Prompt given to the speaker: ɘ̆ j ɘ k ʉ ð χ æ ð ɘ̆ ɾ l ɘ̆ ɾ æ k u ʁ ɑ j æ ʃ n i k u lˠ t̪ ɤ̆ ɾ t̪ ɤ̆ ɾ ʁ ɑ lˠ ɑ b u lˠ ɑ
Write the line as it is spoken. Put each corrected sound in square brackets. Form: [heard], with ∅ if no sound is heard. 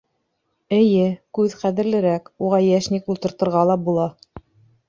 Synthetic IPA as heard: ɘ̆ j ɘ k ʉ ð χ æ ð ɘ̆ ɾ l ɘ̆ ɾ æ k u ʁ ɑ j æ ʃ n i k u lˠ t̪ ɤ̆ ɾ t̪ ɤ̆ ɾ ʁ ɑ lˠ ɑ b u lˠ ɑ

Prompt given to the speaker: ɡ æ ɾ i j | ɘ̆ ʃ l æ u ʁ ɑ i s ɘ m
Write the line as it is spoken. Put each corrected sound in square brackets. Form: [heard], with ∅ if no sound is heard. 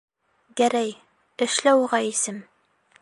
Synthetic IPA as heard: ɡ æ ɾ [æ] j | ɘ̆ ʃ l æ [w] ʁ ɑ i s ɘ m

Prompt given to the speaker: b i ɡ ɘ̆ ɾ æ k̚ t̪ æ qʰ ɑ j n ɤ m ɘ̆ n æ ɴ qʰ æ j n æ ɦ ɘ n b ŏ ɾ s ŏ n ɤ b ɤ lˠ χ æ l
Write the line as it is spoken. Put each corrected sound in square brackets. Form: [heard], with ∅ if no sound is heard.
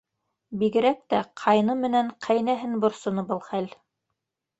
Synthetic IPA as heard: b i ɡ ɘ̆ ɾ æ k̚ t̪ æ qʰ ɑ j n ɤ m ɘ̆ n æ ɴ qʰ æ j n æ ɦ ɘ n b ŏ ɾ s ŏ n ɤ b ɤ lˠ χ æ l

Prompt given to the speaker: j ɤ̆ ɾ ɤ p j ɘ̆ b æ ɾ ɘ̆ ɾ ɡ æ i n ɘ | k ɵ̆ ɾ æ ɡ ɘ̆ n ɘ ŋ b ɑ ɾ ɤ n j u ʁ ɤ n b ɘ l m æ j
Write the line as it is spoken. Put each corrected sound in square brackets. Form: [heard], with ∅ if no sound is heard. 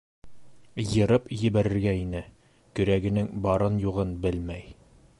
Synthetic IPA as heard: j ɤ̆ ɾ ɤ p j ɘ̆ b æ ɾ ɘ̆ ɾ ɡ æ i n ɘ | k ɵ̆ ɾ æ ɡ ɘ̆ n ɘ ŋ b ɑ ɾ ɤ n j u ʁ ɤ n b ɘ l m æ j

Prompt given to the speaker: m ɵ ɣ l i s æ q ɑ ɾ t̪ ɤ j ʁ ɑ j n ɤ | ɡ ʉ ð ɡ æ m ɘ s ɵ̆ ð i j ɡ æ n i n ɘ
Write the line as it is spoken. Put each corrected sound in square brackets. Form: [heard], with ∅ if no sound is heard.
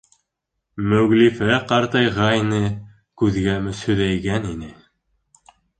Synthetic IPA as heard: m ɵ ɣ l i [f] æ q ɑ ɾ t̪ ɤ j ʁ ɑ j n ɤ | [k] ʉ ð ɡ æ m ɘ s ɵ̆ ð [æ] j ɡ æ n i n ɘ

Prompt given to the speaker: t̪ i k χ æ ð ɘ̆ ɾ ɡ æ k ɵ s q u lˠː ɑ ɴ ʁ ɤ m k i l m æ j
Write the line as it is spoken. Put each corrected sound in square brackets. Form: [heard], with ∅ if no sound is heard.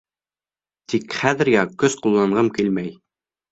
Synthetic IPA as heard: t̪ i k χ æ ð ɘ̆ ɾ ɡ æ k ɵ s q u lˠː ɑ ɴ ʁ ɤ m k i l m æ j

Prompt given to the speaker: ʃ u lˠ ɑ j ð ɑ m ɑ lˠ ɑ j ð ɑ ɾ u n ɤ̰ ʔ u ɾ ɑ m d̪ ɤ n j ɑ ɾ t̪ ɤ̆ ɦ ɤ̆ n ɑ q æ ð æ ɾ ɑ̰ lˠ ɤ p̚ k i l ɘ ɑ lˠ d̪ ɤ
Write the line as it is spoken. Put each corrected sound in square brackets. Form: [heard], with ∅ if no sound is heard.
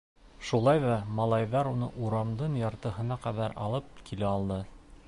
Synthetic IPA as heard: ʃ u lˠ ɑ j ð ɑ m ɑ lˠ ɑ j ð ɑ ɾ u n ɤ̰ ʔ u ɾ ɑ m d̪ ɤ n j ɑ ɾ t̪ ɤ̆ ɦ ɤ̆ n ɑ q æ ð æ ɾ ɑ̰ lˠ ɤ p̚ k i l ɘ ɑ lˠ d̪ ɤ

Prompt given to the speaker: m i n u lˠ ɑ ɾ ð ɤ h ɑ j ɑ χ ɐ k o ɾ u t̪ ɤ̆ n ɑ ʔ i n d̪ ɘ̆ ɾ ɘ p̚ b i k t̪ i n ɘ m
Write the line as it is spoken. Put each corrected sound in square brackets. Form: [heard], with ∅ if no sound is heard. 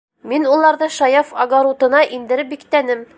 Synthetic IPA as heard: m i n u lˠ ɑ ɾ ð ɤ [ʃ] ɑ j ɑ [f] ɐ [ɡ] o ɾ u t̪ ɤ̆ n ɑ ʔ i n d̪ ɘ̆ ɾ ɘ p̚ b i k t̪ [æ] n ɘ m

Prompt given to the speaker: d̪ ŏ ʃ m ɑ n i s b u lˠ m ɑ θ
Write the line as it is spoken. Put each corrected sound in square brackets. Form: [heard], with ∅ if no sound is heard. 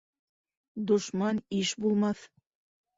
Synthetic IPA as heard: d̪ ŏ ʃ m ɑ n i [ʃ] b u lˠ m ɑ θ

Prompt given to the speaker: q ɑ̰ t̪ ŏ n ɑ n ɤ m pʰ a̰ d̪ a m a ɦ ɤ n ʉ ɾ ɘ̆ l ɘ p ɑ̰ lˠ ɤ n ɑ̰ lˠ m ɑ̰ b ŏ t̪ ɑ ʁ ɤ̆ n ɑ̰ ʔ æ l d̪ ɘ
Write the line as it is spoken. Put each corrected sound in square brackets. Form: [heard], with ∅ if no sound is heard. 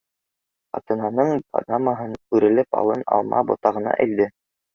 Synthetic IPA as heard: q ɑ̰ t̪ [ɤ̆] n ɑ n ɤ [ɴ] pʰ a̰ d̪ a m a ɦ ɤ n ʉ ɾ ɘ̆ l ɘ p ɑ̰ lˠ ɤ n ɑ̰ lˠ m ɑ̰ b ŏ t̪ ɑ ʁ ɤ̆ n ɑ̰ ʔ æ l d̪ ɘ

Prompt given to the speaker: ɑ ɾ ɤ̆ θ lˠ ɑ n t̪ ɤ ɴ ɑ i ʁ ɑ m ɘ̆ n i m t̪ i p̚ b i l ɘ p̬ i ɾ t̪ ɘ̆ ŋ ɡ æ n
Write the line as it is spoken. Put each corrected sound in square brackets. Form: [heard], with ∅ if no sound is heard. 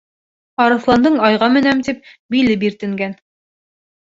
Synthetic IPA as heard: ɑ ɾ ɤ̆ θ lˠ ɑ n [d̪] ɤ ɴ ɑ [j] ʁ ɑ m ɘ̆ n [æ] m t̪ i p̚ b i l ɘ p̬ i ɾ t̪ ɘ̆ ŋ ɡ æ n

